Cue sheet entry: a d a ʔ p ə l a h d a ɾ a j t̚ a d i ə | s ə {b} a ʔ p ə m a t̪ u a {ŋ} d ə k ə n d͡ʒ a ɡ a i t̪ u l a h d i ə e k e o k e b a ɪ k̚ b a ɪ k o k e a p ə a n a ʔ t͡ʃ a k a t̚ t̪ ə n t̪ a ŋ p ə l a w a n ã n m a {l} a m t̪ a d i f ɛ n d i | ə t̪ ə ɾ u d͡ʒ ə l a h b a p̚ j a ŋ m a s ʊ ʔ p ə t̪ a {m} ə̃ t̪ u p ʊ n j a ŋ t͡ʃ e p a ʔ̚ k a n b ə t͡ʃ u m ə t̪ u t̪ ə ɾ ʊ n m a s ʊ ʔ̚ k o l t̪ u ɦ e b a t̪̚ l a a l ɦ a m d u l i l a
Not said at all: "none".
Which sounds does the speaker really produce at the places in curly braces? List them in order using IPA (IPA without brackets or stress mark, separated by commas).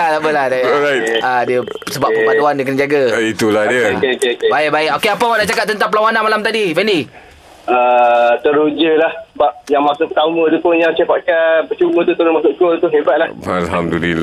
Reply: b, n, l, m